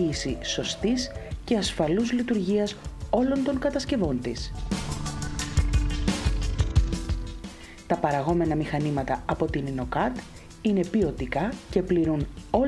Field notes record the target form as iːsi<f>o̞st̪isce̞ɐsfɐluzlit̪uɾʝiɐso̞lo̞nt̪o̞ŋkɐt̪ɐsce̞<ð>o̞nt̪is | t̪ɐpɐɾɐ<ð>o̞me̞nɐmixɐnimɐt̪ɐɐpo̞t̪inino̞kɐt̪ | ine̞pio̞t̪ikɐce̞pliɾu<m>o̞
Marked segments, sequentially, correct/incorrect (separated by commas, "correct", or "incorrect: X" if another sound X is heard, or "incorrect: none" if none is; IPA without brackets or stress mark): incorrect: s, incorrect: v, incorrect: ɣ, incorrect: n